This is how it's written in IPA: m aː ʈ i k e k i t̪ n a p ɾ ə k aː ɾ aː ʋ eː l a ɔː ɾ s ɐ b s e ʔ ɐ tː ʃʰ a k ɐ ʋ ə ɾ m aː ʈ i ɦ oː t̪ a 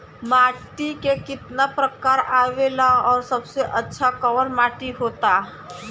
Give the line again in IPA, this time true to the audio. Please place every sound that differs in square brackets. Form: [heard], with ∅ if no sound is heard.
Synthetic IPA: m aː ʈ i k e k [ɪ] t̪ n a p ɾ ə k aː ɾ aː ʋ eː l a ɔː ɾ s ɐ b s e ʔ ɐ tː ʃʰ a k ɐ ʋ ə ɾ m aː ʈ i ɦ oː t̪ a

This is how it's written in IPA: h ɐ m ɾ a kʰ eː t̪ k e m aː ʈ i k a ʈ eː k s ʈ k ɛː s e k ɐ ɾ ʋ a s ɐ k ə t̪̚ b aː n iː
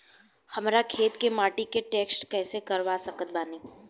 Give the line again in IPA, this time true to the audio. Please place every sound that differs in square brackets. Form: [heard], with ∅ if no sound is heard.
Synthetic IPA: h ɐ m ɾ a kʰ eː t̪ k e m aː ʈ i k [e] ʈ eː k s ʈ k ɛː s e k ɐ ɾ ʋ a s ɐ k ə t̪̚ b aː n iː

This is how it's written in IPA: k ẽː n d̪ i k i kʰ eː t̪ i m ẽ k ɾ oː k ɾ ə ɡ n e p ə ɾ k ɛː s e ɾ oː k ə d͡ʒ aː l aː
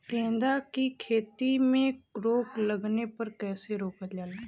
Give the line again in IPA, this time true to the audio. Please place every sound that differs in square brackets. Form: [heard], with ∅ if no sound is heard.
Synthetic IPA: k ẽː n d̪ [a] k i kʰ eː t̪ i m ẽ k ɾ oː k [l] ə ɡ n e p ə ɾ k ɛː s e ɾ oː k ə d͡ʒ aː l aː

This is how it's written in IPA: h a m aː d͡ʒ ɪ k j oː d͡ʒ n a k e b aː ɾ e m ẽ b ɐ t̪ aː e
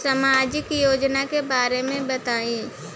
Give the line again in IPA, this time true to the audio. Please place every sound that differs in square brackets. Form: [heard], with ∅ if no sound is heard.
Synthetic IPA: [s] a m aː d͡ʒ ɪ k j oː d͡ʒ n a k e b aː ɾ e m ẽ b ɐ t̪ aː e

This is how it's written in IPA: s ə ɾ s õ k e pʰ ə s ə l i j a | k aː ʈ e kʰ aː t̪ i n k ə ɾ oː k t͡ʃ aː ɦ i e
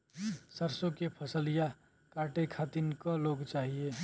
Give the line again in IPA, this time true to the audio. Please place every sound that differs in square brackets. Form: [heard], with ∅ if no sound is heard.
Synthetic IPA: s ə ɾ s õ k e pʰ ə s ə l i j a | k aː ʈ e kʰ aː t̪ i n k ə [l] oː [ɡ] t͡ʃ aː ɦ i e

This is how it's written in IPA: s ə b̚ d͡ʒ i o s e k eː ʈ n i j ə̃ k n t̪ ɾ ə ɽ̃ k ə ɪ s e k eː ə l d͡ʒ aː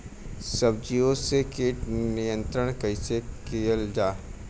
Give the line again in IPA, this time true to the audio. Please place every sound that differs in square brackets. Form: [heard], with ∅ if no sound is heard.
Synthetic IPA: s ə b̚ d͡ʒ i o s e k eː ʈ n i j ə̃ [∅] n t̪ ɾ ə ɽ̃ k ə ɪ s e k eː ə l d͡ʒ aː

